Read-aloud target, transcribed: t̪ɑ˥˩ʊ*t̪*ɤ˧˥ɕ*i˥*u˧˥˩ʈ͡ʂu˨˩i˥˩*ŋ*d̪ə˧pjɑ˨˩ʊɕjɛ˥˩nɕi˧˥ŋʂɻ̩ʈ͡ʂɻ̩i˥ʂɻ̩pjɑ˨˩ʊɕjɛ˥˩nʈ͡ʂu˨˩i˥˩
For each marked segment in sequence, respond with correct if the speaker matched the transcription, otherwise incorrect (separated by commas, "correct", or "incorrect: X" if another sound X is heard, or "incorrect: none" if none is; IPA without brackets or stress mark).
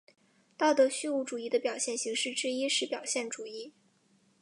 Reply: correct, incorrect: y˥, incorrect: none